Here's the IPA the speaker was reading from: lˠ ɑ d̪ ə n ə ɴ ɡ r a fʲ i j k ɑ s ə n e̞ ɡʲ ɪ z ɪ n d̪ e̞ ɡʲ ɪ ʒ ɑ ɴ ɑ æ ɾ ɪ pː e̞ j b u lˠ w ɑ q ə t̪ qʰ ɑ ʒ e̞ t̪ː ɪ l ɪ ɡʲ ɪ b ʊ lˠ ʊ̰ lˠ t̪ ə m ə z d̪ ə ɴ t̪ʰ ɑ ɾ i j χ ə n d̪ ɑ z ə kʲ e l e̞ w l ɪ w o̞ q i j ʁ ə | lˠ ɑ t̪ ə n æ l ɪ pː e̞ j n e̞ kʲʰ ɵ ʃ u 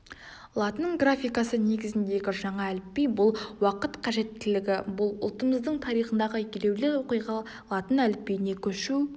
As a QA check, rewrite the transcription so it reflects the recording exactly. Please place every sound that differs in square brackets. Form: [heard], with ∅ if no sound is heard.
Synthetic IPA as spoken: lˠ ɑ [t̪] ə n ə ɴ ɡ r a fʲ i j k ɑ s ə n e̞ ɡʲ ɪ z ɪ n d̪ e̞ ɡʲ ɪ ʒ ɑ ɴ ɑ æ [l] ɪ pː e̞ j b [ʊ] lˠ w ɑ q ə t̪ qʰ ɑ ʒ e̞ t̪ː ɪ l ɪ ɡʲ ɪ b ʊ lˠ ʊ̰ lˠ t̪ ə m ə z d̪ ə ɴ t̪ʰ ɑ ɾ i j χ ə n d̪ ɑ [ʁ] ə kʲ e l e̞ w l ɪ w o̞ q i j ʁ [ɑ] | lˠ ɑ t̪ ə n æ l ɪ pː e̞ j n e̞ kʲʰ ɵ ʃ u